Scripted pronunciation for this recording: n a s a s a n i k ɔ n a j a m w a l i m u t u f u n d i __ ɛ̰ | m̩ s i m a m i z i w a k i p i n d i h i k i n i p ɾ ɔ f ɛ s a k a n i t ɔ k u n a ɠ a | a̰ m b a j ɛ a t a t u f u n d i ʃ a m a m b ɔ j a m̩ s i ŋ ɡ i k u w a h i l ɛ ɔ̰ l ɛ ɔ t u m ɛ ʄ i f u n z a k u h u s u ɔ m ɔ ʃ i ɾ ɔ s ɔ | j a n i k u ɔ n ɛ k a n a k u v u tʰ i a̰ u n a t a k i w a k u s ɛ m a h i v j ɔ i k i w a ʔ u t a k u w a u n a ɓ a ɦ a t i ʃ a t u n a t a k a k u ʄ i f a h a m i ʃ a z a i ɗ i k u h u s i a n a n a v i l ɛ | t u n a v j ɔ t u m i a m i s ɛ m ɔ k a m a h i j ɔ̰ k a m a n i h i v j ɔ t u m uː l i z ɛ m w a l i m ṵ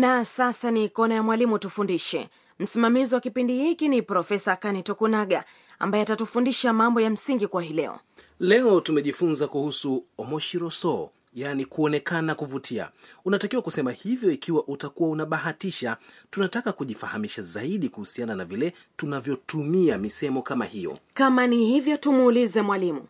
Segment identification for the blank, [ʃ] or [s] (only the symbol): ʃ